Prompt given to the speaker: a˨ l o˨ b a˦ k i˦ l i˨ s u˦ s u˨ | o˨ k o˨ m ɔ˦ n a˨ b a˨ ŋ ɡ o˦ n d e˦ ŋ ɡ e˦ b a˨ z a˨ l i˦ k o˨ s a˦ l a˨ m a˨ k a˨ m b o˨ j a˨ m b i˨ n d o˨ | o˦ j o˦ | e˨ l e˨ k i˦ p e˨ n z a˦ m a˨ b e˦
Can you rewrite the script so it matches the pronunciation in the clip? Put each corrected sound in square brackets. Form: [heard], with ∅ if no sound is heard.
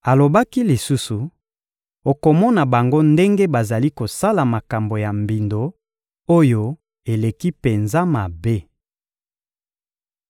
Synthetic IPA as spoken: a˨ l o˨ b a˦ k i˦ l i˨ s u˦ s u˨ | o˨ k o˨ m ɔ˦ n a˨ b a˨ ŋ ɡ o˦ n d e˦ ŋ ɡ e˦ b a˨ z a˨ l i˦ k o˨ s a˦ l a˨ m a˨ k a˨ m b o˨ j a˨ m b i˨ n d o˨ | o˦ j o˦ | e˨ l e˨ k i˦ p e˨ n z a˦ m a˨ b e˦